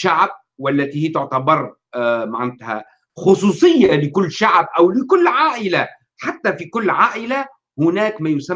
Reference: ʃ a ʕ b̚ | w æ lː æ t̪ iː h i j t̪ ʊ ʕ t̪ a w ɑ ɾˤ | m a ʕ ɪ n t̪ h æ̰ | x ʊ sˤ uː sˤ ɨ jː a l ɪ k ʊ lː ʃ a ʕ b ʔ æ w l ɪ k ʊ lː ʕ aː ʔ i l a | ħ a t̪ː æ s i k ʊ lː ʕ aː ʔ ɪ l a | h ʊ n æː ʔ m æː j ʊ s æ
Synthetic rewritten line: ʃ a ʕ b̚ | w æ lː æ t̪ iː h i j t̪ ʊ ʕ t̪ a b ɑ ɾˤ | m a ʕ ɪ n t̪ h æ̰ | x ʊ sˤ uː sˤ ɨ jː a l ɪ k ʊ lː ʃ a ʕ b ʔ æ w l ɪ k ʊ lː ʕ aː ʔ ɪ l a | ħ a t̪ː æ f i k ʊ lː ʕ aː ʔ ɪ l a | h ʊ n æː k m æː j ʊ s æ